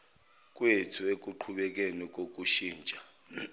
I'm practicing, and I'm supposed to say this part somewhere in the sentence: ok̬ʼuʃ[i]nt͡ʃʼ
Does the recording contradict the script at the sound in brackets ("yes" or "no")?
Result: yes